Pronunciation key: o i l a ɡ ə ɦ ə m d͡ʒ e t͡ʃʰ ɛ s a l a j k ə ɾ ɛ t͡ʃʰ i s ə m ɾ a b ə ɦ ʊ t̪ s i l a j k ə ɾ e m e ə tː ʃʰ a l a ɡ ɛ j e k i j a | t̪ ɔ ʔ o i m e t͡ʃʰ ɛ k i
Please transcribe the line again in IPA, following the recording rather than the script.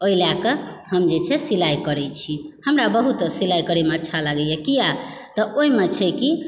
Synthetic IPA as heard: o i l a k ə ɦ ə m d͡ʒ e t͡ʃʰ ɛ s i l a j k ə ɾ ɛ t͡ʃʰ i h ə m ɾ a b ə ɦ u t̪ s i l a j k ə ɾ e m e ə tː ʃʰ a l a ɡ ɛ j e k i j a | t̪ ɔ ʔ o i m e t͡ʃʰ ɛ k i